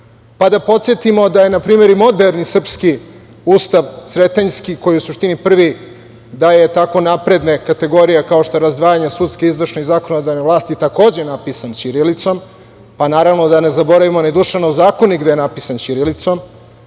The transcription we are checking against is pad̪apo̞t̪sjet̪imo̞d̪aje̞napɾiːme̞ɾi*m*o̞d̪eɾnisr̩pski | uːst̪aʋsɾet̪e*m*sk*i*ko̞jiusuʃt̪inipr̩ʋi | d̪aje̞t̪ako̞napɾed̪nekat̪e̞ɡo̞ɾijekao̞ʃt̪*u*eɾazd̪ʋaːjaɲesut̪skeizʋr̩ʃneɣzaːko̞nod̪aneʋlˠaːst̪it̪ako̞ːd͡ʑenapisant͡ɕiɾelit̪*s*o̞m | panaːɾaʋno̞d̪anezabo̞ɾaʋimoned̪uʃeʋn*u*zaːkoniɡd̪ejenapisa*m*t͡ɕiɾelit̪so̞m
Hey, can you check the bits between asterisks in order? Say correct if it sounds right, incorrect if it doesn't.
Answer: correct, incorrect, correct, incorrect, correct, incorrect, incorrect

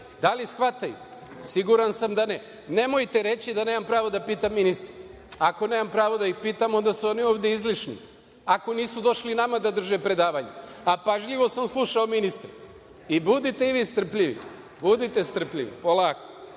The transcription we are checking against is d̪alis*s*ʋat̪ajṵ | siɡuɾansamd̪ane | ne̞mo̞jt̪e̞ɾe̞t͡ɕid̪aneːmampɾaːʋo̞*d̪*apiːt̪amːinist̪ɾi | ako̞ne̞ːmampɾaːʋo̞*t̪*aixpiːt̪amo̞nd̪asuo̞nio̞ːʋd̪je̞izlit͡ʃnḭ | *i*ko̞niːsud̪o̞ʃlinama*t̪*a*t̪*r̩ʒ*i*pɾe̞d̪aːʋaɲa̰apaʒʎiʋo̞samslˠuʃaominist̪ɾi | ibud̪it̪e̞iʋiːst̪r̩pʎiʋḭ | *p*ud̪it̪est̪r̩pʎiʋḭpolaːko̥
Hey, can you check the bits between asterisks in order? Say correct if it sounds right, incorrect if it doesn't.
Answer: incorrect, correct, incorrect, incorrect, incorrect, incorrect, incorrect, incorrect

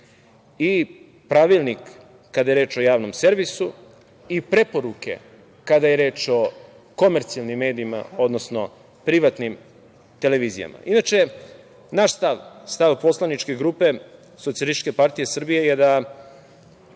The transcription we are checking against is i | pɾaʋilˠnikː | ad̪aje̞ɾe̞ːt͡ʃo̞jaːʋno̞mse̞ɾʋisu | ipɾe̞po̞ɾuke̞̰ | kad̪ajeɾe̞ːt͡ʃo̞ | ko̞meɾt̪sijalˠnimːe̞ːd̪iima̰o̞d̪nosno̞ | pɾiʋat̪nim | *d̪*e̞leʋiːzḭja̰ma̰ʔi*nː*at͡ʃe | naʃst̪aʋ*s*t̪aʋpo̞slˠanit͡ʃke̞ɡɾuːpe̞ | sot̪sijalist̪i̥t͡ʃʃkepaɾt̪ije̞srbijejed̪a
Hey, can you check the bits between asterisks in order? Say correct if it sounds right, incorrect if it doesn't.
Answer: incorrect, incorrect, correct

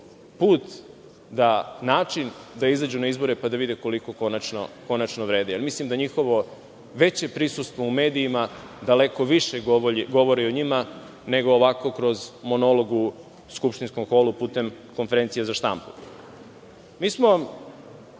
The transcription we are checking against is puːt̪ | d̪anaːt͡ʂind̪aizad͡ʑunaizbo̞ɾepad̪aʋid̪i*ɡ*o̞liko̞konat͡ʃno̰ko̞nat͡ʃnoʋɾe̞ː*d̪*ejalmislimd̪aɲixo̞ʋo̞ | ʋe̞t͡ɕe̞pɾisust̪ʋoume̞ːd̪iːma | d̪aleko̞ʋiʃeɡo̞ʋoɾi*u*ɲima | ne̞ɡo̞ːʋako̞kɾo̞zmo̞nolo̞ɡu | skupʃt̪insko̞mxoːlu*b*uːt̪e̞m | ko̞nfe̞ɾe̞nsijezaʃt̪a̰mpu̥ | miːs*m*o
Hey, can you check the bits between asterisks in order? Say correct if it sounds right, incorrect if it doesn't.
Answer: incorrect, correct, incorrect, incorrect, correct

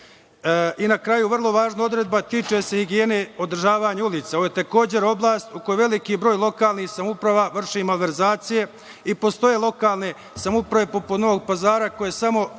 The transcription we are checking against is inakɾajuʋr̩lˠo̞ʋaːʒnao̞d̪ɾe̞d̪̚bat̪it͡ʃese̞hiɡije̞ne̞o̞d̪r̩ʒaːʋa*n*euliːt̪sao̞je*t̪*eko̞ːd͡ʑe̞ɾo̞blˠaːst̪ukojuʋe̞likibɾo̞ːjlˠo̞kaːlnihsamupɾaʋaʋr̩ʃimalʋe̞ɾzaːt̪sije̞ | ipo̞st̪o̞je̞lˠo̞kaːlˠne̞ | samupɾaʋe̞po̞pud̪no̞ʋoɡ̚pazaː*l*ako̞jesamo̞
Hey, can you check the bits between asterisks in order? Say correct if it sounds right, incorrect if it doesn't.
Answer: incorrect, correct, incorrect

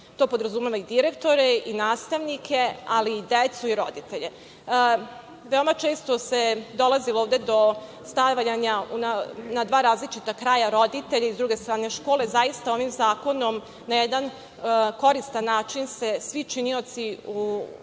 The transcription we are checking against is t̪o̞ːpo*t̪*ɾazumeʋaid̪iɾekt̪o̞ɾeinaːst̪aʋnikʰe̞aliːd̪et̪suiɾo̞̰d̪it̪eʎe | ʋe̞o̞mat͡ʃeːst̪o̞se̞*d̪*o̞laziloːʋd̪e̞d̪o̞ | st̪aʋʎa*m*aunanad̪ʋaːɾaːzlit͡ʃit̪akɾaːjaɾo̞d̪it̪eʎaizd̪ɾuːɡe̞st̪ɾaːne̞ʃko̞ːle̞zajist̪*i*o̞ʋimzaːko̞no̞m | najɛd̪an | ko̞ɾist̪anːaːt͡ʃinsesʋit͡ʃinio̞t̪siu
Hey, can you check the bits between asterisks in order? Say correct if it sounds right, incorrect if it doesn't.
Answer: incorrect, correct, incorrect, incorrect

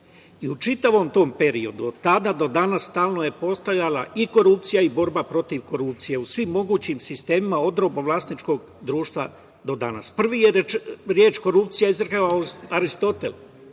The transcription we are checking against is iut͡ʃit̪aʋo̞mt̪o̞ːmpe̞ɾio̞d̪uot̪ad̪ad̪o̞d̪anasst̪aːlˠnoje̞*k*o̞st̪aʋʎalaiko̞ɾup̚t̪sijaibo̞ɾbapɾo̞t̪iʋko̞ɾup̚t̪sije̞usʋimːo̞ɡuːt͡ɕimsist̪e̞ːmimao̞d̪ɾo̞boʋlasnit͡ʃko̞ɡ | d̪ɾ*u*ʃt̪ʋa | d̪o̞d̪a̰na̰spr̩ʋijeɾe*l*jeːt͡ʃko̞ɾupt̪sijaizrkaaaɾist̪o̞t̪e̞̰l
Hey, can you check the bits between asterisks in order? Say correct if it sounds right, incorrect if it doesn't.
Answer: incorrect, incorrect, incorrect

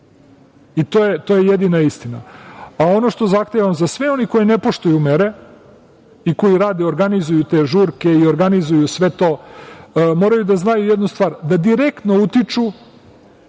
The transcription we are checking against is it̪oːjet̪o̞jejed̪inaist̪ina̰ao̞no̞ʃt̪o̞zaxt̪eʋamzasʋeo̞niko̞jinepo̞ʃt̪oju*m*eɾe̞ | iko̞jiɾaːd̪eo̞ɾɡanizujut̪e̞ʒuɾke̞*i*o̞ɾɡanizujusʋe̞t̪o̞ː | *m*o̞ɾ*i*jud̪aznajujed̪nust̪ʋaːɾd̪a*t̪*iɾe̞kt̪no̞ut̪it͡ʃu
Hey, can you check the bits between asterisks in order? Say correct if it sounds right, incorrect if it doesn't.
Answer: correct, correct, correct, incorrect, incorrect

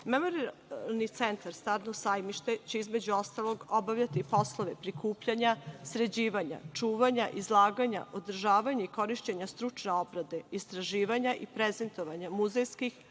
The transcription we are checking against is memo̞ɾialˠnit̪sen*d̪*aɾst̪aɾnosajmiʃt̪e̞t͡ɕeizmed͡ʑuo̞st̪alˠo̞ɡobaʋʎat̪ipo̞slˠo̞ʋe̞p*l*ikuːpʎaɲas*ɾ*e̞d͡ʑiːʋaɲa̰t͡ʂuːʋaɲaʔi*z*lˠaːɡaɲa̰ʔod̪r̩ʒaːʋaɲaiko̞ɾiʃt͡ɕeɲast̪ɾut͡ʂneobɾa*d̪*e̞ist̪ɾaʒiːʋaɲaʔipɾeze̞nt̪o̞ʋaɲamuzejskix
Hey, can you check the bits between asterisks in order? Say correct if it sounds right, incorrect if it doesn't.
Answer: incorrect, incorrect, correct, correct, correct

